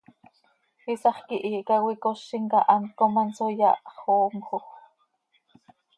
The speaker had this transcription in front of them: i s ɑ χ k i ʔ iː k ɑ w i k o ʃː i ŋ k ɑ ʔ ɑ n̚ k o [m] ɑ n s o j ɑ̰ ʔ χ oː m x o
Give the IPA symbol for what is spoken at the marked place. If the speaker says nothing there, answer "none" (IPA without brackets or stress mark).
m